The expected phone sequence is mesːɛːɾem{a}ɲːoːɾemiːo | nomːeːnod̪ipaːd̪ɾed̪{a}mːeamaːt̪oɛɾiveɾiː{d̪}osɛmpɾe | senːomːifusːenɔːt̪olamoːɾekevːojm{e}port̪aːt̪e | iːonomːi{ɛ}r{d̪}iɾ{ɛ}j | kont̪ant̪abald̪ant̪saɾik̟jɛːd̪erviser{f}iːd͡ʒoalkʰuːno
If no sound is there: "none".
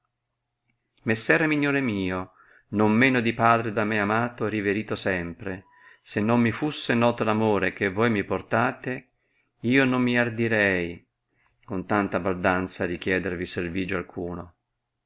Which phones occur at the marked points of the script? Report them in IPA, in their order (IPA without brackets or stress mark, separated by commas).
i, a, t̪, i, a, d̪, ɛ, v